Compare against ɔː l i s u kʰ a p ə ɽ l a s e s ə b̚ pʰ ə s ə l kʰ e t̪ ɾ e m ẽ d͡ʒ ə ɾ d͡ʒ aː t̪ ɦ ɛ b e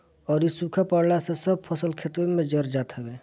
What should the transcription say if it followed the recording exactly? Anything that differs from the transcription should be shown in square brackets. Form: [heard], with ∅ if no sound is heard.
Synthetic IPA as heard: ɔː [ɾ] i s u kʰ a p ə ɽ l a s e s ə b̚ pʰ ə s ə l kʰ e t̪ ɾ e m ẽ d͡ʒ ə ɾ d͡ʒ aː t̪ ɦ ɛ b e